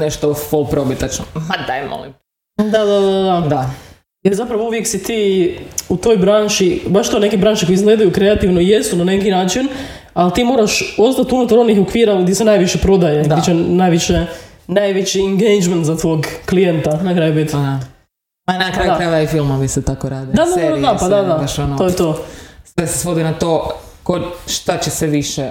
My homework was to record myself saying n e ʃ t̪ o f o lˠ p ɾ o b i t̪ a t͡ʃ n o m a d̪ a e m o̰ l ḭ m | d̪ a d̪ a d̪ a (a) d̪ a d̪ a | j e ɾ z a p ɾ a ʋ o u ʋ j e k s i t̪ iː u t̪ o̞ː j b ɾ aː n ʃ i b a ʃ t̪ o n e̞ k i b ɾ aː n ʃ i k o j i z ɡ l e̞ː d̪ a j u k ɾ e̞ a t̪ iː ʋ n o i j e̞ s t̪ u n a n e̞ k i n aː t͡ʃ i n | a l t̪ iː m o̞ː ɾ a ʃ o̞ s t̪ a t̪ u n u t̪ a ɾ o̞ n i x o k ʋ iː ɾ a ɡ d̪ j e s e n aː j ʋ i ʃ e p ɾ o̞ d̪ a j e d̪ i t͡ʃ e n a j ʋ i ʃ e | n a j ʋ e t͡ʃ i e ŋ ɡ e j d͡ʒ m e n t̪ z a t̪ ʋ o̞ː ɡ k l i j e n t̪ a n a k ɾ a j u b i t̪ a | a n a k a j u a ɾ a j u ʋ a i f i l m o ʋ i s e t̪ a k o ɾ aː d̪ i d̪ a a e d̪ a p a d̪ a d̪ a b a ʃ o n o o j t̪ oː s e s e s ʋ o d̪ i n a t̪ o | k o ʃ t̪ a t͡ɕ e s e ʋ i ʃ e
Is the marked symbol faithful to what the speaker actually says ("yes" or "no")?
yes